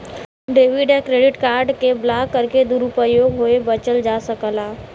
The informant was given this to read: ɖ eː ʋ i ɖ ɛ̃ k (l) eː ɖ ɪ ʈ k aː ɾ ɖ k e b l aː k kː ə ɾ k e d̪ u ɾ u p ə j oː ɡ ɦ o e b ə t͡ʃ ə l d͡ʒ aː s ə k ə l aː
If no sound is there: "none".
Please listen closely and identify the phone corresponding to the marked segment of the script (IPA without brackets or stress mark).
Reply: ɾ